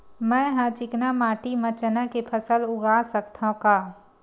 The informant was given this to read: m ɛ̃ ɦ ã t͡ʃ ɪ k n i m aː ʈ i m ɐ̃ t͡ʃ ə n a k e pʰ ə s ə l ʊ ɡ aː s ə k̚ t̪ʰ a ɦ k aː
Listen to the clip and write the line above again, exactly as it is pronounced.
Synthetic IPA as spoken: m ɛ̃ ɦ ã t͡ʃ ɪ k n a m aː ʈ i m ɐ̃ t͡ʃ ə n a k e pʰ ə s ə l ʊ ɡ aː s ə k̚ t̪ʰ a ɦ k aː